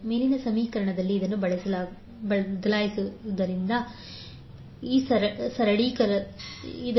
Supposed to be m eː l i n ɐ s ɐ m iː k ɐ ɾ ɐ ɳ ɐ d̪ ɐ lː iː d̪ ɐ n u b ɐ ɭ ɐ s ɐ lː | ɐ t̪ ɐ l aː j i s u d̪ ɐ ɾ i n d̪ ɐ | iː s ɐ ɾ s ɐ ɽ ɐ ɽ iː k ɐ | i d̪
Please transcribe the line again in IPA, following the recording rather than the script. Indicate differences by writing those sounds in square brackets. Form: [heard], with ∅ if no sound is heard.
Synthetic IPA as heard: m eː l i n ɐ s ɐ m iː k ɐ ɾ ɐ ɳ ɐ d̪ ɐ lː iː d̪ ɐ [nː] u b ɐ ɭ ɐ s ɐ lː | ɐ [d̪] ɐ l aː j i s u d̪ ɐ ɾ i n d̪ ɐ | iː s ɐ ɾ s ɐ [ɾ] ɐ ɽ iː k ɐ | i d̪